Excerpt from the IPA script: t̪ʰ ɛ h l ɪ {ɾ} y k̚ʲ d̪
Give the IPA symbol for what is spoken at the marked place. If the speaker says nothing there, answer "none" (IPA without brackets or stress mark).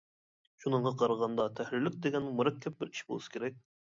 l